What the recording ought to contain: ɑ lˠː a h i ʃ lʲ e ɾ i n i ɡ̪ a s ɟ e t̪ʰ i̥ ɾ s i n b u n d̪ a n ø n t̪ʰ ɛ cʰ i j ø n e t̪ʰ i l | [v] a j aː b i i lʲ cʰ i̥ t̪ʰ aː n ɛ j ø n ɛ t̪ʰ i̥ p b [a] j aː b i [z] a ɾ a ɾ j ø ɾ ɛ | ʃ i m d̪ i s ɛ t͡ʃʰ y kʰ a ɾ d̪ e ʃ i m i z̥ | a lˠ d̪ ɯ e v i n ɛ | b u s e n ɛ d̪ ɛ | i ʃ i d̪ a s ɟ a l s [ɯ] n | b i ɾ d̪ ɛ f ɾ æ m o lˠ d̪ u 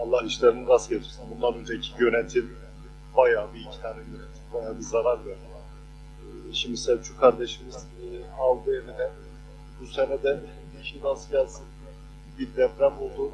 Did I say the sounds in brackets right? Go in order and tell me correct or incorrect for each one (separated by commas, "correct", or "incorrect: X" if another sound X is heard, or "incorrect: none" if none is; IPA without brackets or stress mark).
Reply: incorrect: b, correct, correct, correct